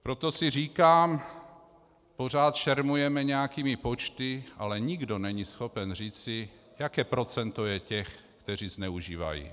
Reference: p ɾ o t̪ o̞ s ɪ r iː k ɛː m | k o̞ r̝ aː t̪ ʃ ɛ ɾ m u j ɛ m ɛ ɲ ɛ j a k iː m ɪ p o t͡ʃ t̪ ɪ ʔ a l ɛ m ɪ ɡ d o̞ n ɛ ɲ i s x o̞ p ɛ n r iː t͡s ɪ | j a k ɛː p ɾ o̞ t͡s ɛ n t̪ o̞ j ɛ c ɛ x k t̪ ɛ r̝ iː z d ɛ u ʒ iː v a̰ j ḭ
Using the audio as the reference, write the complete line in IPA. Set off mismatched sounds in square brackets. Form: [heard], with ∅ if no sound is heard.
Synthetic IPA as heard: p ɾ o t̪ o̞ s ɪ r iː k [aː] m | [p] o̞ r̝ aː t̪ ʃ ɛ ɾ m u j ɛ m ɛ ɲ ɛ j a k iː m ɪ p o t͡ʃ t̪ ɪ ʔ a l ɛ [ɲ] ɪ ɡ d o̞ n ɛ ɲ i s x o̞ p ɛ n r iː t͡s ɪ | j a k ɛː p ɾ o̞ t͡s ɛ n t̪ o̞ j ɛ c ɛ x k t̪ ɛ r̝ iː z [n] ɛ u ʒ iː v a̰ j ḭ